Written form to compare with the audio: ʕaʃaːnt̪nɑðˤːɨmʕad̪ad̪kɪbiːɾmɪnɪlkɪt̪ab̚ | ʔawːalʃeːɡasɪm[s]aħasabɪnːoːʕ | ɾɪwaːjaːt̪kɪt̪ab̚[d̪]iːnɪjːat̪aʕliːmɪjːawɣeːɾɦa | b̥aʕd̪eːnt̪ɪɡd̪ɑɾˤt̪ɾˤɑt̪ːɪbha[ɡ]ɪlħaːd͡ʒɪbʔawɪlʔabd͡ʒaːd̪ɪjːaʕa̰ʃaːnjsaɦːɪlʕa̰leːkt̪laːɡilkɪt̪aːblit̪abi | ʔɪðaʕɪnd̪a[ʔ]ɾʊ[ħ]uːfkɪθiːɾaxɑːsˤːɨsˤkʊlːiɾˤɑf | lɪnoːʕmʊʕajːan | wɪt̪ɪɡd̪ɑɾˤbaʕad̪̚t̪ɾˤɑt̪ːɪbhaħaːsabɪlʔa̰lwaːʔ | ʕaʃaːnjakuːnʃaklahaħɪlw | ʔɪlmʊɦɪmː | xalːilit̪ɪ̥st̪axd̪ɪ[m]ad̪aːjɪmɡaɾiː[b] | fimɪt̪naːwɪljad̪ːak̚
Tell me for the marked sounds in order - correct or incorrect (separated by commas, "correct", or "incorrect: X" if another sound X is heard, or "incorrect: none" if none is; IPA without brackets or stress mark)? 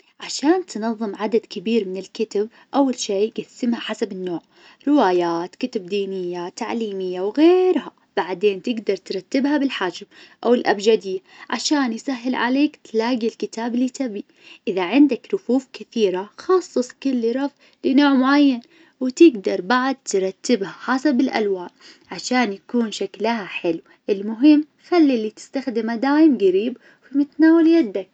incorrect: h, correct, incorrect: b, incorrect: k, incorrect: f, correct, correct